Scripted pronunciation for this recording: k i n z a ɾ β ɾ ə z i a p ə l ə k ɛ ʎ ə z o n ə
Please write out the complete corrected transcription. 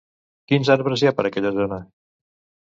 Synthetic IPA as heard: k i n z a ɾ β ɾ ə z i a p ə ɾ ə k ɛ ʎ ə z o n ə